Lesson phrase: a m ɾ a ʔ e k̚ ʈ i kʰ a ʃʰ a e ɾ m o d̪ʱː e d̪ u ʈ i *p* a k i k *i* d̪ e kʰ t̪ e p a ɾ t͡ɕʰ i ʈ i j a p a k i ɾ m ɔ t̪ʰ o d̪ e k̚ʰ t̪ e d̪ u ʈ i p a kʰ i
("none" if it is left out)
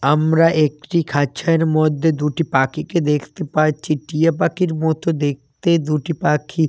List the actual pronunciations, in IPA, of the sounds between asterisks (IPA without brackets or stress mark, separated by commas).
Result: p, e